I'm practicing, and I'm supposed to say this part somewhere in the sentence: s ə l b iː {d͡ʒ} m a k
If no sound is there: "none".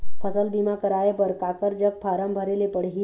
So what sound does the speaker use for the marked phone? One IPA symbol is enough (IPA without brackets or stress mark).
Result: none